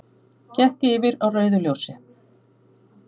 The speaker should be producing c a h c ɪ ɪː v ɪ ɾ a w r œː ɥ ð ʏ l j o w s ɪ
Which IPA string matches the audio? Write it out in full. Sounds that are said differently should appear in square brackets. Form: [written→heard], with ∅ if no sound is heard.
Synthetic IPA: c [a→ɛ] h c ɪ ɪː v ɪ ɾ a w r œː ɥ ð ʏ l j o w s ɪ